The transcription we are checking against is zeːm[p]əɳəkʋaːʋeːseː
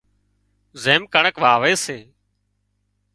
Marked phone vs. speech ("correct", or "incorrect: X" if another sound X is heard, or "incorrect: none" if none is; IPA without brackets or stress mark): incorrect: k